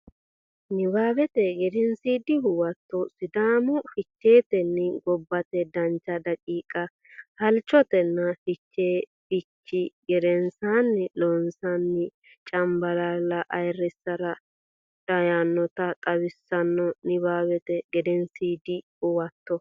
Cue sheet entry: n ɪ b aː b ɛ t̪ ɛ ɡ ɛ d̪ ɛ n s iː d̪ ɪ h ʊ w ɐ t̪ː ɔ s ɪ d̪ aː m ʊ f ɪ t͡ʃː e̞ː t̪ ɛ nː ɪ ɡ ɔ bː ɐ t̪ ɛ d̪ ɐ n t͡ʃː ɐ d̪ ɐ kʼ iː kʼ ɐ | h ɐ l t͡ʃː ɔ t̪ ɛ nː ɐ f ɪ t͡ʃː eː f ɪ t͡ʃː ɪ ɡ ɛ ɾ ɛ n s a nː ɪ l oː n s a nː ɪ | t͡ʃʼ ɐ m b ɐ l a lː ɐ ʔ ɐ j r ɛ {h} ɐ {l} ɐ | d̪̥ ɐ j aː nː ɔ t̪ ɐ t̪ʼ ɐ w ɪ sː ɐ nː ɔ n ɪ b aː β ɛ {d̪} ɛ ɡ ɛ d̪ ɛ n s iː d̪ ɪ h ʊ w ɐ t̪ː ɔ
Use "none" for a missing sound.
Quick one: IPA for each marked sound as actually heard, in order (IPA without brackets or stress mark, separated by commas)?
s, ɾ, t̪